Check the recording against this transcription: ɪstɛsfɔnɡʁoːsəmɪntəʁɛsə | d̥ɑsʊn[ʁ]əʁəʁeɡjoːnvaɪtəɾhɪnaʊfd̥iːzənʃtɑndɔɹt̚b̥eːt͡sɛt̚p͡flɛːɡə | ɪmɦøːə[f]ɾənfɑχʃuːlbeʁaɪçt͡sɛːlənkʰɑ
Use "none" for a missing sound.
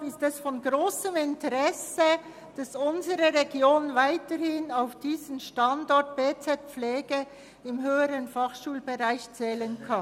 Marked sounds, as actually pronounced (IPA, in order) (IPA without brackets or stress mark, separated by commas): z, none